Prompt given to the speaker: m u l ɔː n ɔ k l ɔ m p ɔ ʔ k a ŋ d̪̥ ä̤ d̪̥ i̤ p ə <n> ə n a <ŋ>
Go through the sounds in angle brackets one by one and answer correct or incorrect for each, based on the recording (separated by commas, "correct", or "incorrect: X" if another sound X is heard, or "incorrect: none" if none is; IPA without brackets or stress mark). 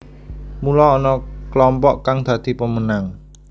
incorrect: m, correct